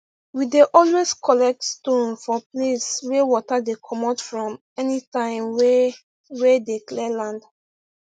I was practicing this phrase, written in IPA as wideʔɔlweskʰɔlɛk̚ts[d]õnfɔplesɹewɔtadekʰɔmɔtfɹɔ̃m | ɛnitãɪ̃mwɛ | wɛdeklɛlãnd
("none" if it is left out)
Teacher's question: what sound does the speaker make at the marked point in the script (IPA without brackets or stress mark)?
t